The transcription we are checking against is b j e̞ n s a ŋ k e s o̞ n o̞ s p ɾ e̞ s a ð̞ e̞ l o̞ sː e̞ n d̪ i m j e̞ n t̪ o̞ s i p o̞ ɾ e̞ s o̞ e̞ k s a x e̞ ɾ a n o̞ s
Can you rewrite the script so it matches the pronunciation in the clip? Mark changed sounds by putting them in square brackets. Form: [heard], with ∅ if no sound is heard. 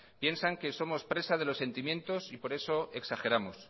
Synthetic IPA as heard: [p] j e̞ n s a ŋ k e s o̞ [m] o̞ s p ɾ e̞ s a ð̞ e̞ l o̞ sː e̞ n [t̪] i m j e̞ n t̪ o̞ s i p o̞ ɾ e̞ s o̞ e̞ k s a x e̞ ɾ a [m] o̞ s